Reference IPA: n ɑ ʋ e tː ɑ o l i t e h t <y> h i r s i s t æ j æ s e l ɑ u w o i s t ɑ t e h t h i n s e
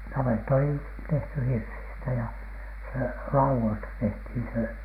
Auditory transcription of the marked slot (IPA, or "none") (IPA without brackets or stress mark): y